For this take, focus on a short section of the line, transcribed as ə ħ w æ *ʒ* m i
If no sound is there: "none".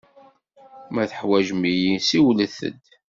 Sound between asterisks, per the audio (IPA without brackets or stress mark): ʒ